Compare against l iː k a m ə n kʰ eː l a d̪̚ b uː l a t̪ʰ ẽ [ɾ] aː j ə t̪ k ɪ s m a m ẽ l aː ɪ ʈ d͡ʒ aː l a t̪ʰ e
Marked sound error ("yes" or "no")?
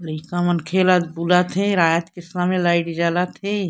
no